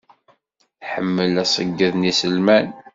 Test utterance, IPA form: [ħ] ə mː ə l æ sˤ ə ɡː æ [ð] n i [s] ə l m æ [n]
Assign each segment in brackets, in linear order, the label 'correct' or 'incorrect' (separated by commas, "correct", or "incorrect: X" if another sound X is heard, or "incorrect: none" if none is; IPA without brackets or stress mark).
correct, correct, correct, correct